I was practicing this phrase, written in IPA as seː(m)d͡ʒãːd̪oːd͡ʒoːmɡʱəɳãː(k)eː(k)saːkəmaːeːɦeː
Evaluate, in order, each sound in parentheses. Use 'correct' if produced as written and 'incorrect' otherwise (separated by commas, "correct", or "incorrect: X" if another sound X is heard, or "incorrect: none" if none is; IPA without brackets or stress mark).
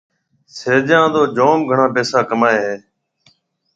incorrect: none, incorrect: p, incorrect: none